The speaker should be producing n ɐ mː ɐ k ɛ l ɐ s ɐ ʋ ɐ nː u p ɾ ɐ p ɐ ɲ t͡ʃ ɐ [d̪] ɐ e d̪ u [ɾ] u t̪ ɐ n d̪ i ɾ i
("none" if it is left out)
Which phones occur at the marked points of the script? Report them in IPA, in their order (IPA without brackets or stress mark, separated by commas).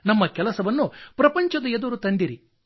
d̪, ɾ